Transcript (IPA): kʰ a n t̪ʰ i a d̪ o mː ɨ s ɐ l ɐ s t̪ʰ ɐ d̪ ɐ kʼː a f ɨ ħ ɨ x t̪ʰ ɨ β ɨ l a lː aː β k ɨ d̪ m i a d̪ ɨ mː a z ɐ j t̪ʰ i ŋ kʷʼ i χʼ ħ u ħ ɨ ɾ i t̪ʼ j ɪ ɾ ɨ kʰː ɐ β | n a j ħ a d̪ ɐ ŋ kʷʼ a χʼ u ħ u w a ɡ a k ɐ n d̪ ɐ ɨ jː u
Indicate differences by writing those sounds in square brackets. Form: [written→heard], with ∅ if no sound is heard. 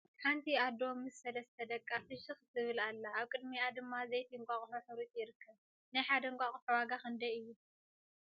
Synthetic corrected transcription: kʰ a n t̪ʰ i a d̪ o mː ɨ s ɐ l ɐ s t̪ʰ ɐ d̪ ɐ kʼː a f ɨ [ħ→ʃ] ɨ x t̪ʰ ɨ β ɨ l a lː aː β [k→kʼ] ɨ d̪ m i a d̪ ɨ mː a z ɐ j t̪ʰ i ŋ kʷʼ [i→a] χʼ ħ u ħ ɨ ɾ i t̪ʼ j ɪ ɾ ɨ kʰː ɐ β | n a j ħ a d̪ ɐ ŋ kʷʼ a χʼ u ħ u w a ɡ a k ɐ n d̪ ɐ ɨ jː u